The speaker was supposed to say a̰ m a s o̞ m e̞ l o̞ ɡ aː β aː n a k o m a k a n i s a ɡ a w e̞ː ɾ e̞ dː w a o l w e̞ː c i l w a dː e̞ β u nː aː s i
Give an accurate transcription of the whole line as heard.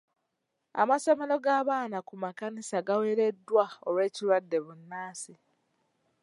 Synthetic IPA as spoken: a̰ m a s o̞ m e̞ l o̞ ɡ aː β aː n a k u m a k a n i s a ɡ a w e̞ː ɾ e̞ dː w a o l w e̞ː c i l w a dː e̞ β u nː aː s i